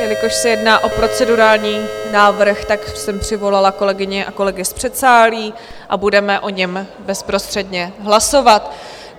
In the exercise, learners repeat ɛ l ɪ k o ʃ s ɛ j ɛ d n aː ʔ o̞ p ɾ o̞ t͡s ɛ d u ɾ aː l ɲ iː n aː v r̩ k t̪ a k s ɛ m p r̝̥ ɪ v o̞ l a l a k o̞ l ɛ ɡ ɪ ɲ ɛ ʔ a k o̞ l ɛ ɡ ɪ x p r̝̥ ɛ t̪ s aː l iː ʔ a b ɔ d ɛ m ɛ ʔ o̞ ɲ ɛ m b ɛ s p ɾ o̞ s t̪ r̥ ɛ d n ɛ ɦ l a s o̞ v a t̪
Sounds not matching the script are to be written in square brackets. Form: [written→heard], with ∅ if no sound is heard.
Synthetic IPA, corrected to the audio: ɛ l ɪ k o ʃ s ɛ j ɛ d n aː ʔ o̞ p ɾ o̞ t͡s ɛ d u ɾ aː l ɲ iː n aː v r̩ [k→x] t̪ a k s ɛ m p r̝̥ ɪ v o̞ l a l a k o̞ l ɛ ɡ ɪ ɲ ɛ ʔ a k o̞ l ɛ ɡ ɪ [x→s] p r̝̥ ɛ t̪ s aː l iː ʔ a b [ɔ→u] d ɛ m ɛ ʔ o̞ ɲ ɛ m b ɛ s p ɾ o̞ s t̪ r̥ ɛ d [n→ɲ] ɛ ɦ l a s o̞ v a t̪